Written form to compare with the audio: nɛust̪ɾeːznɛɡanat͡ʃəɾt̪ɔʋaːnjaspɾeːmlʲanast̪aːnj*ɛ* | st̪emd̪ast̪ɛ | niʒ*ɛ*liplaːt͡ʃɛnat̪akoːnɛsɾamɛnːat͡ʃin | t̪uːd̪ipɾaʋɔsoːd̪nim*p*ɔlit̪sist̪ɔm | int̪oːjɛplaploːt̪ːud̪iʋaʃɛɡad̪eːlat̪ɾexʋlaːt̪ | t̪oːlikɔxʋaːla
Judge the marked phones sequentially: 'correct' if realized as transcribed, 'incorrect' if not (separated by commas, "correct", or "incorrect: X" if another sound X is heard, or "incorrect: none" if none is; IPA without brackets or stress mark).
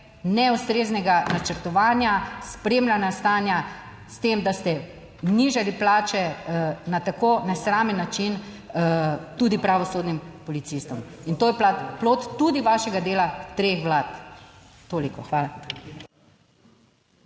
incorrect: a, incorrect: a, correct